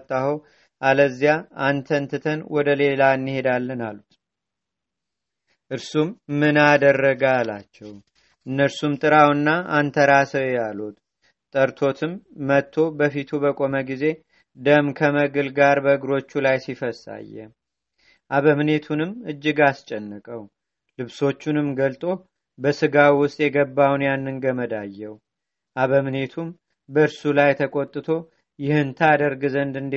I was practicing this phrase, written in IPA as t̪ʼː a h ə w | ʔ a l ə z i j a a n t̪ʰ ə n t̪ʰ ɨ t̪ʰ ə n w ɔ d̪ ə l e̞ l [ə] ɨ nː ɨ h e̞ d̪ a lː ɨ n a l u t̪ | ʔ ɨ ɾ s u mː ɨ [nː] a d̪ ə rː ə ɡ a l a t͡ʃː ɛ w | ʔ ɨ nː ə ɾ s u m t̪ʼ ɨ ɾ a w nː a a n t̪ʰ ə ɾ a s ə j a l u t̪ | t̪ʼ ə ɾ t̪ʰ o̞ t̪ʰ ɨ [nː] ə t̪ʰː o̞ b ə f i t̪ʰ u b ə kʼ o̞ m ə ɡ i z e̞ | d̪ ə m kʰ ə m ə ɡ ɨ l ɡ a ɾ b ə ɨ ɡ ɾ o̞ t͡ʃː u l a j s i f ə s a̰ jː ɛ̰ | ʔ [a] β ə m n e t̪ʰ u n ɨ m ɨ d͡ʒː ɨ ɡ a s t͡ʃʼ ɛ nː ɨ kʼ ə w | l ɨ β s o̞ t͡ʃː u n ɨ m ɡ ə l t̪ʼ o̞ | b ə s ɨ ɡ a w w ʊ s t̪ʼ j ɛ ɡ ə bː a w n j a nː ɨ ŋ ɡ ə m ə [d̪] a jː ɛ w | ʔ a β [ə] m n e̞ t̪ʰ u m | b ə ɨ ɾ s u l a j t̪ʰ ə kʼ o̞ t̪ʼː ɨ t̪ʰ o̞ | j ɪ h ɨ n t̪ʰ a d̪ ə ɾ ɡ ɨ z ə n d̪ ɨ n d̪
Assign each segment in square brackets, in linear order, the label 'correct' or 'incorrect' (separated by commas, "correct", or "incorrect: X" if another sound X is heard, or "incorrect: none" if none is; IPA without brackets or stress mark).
incorrect: a, incorrect: n, incorrect: mː, correct, correct, correct